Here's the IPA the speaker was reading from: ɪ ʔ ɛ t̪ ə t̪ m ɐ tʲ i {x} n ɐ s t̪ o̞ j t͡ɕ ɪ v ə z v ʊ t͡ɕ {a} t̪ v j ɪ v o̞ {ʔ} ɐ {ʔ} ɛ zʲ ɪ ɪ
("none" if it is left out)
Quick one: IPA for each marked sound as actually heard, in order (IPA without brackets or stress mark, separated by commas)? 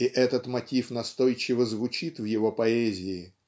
f, i, p, none